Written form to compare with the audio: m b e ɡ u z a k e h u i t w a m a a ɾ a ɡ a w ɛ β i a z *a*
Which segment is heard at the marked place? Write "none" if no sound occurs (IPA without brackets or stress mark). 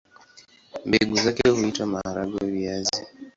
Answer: i